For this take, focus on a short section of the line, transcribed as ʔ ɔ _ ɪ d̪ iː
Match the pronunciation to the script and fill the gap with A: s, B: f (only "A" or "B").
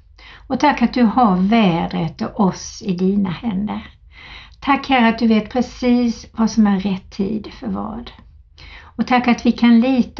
A